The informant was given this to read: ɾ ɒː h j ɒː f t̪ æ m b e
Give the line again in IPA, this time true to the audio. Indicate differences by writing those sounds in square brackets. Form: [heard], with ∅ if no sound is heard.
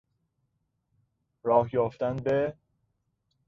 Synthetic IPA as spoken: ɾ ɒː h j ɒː f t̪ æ [n] b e